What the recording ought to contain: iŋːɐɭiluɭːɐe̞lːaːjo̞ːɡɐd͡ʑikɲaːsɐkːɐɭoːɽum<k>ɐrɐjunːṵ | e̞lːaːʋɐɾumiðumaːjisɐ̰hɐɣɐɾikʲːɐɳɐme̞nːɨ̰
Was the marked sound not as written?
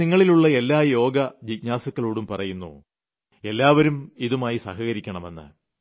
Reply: yes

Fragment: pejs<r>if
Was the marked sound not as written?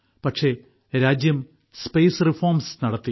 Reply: no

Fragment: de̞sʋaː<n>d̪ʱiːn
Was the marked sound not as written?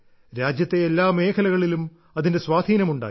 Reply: yes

